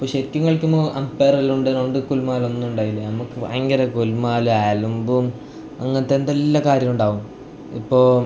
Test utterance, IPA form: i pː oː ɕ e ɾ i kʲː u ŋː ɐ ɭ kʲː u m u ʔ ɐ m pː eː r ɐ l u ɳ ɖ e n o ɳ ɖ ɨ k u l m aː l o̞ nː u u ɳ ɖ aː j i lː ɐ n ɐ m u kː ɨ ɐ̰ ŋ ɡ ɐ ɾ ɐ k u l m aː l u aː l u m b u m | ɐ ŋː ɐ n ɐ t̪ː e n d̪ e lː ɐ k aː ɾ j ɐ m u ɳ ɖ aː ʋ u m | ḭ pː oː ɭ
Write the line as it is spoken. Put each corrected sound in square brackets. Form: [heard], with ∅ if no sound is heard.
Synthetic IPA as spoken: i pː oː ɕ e ɾ i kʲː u ŋː ɐ ɭ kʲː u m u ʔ ɐ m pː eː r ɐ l u ɳ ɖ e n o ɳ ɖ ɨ k u l m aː l o̞ nː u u ɳ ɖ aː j i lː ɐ n ɐ m u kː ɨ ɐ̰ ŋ ɡ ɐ ɾ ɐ k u l m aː l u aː l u m b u m | ɐ ŋː ɐ n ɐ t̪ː e n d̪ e lː ɐ k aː ɾ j ɐ m u ɳ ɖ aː ʋ u m | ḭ pː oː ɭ